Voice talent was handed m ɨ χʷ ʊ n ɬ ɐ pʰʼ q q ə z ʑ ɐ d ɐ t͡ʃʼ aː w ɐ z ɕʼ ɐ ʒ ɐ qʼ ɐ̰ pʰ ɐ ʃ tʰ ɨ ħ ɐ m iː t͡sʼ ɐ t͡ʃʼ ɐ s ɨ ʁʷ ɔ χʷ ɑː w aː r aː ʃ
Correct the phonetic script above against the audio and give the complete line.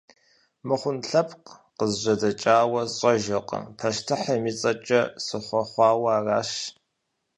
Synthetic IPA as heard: m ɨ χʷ ʊ n ɬ ɐ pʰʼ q q ə z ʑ ɐ d ɐ t͡ʃʼ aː w ɐ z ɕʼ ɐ ʒ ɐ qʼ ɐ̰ pʰ ɐ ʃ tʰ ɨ ħ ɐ m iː t͡sʼ ɐ t͡ʃʼ ɐ s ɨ χʷ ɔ χʷ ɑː w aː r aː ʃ